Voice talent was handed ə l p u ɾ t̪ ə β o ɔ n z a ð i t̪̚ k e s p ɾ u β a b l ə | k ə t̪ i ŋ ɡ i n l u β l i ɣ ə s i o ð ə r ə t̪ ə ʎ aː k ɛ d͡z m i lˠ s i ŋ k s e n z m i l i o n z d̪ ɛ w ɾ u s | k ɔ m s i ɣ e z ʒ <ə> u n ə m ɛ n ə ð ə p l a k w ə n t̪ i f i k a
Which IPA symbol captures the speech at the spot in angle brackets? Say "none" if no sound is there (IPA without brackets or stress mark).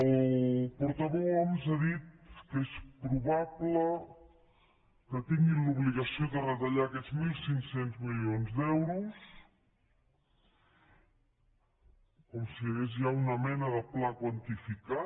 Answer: a